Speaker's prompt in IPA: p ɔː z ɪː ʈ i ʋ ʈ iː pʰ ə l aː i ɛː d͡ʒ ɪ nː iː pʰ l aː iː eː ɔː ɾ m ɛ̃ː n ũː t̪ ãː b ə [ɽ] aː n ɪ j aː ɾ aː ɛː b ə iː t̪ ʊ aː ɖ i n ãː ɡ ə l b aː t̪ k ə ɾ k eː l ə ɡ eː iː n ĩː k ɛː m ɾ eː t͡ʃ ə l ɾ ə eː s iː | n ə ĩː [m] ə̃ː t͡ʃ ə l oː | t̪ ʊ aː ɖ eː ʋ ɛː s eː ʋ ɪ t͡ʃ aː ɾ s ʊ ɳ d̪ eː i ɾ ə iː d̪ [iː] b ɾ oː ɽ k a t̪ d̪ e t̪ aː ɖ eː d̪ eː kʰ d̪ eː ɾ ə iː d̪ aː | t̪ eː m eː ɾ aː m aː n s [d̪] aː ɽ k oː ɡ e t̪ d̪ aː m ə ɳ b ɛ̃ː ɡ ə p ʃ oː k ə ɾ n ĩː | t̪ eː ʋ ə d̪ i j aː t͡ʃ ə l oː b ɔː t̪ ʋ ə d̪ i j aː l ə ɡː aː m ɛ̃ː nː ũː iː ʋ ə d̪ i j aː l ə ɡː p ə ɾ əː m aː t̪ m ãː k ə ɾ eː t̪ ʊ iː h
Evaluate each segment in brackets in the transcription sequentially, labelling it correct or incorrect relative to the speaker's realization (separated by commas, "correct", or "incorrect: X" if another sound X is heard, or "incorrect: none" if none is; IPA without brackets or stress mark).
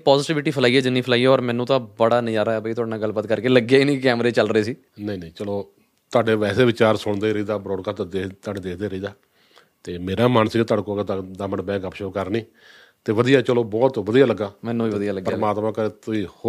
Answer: correct, incorrect: n, incorrect: aː, incorrect: t̪